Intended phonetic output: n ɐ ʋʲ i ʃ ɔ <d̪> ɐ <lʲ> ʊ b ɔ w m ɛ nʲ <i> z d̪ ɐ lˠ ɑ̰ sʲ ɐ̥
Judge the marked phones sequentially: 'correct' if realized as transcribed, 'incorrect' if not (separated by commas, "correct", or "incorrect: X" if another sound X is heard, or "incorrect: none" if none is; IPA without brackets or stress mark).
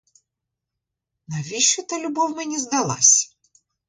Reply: incorrect: t̪, correct, correct